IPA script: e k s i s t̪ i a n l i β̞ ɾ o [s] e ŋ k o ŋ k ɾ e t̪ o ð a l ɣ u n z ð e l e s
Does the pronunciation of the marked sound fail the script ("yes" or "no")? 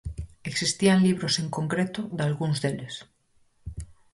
no